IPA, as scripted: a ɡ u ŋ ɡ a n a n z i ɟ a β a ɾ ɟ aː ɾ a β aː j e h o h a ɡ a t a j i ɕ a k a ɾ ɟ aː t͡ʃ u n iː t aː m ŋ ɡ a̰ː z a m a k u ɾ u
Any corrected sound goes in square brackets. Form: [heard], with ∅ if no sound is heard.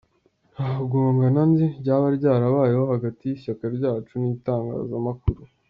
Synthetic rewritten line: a ɡ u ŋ ɡ a n a n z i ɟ a β a ɾ ɟ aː ɾ a β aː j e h o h a ɡ a t [i] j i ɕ a k a ɾ ɟ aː t͡ʃ u n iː t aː [∅] ŋ ɡ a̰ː z a m a k u ɾ u